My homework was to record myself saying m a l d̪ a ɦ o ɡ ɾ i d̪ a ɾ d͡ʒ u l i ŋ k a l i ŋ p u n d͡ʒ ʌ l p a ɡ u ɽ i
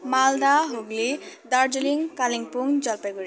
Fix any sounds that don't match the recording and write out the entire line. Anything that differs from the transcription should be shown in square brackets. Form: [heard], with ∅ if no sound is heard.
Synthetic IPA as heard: m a l d̪ a ɦ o ɡ [l] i d̪ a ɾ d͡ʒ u l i ŋ k a l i ŋ p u [ŋ] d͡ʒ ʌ l p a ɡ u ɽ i